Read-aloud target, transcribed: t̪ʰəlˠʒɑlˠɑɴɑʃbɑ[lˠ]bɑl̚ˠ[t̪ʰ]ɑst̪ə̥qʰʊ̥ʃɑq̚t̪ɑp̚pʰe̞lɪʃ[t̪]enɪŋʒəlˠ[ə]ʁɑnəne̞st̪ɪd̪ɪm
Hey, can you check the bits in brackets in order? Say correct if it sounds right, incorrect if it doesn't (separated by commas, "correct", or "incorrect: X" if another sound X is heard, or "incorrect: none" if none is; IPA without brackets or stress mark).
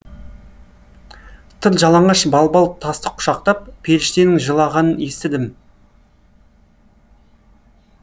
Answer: correct, correct, correct, incorrect: ɑ